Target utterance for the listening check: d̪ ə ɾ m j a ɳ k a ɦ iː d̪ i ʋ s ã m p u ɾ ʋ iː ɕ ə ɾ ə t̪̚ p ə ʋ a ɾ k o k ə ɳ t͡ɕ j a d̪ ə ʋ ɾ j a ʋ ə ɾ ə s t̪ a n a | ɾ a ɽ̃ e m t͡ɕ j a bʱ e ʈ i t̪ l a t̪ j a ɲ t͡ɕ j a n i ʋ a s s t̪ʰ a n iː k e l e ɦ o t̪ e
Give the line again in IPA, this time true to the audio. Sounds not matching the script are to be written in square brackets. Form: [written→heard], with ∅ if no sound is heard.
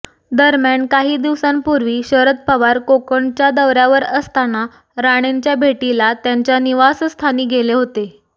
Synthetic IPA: d̪ ə ɾ m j a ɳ k a ɦ iː d̪ i ʋ s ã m p u ɾ ʋ iː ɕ ə ɾ ə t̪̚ p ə ʋ a ɾ k o k ə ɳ t͡ɕ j a d̪ ə ʋ ɾ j a ʋ ə ɾ ə s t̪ a n a | ɾ a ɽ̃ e [m→ɲ] t͡ɕ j a bʱ e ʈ i [t̪→∅] l a t̪ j a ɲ t͡ɕ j a n i ʋ a s s t̪ʰ a n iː [k→ɡ] e l e ɦ o t̪ e